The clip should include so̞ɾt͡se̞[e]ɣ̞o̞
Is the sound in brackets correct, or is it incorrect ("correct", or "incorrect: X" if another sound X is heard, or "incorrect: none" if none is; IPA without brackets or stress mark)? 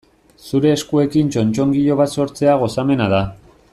incorrect: a